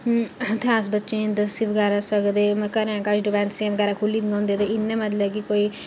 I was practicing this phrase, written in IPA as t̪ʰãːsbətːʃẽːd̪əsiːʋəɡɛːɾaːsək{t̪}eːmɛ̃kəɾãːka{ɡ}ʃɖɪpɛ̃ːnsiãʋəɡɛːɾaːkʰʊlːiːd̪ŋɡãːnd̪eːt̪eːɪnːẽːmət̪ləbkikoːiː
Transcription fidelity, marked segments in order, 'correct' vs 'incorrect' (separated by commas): incorrect, incorrect